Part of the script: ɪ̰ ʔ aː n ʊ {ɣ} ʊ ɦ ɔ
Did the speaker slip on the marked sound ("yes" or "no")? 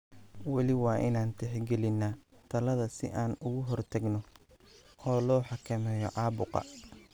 no